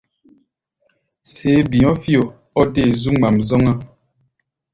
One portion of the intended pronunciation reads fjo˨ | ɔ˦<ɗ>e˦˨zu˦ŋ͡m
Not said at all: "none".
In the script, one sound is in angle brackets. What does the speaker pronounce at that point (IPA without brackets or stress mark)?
d